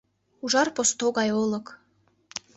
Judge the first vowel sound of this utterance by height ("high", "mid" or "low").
high